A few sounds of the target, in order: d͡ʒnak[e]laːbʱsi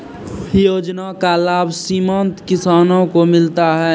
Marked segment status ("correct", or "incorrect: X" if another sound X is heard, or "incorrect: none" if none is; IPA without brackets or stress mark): incorrect: a